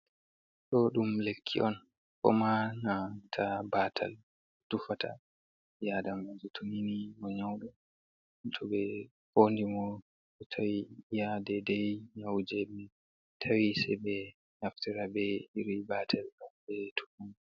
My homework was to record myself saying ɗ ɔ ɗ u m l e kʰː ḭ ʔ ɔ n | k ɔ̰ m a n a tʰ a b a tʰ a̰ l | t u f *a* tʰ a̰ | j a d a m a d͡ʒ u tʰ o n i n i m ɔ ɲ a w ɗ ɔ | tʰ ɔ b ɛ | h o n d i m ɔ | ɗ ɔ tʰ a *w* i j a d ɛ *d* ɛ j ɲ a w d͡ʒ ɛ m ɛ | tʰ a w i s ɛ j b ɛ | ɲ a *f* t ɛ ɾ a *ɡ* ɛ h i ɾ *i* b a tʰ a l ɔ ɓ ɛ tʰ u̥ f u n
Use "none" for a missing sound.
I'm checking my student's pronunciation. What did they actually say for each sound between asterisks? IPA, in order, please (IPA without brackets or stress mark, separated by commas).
a, w, d, f, b, i